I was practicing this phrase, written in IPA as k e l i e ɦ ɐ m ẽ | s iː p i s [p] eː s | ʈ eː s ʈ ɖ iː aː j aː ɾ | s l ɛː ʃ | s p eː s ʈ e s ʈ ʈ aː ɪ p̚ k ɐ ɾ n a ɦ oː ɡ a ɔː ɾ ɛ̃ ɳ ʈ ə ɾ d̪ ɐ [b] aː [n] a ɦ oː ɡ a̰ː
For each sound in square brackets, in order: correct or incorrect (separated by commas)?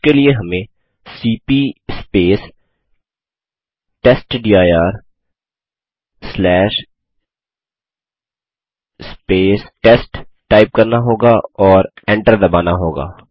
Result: correct, correct, correct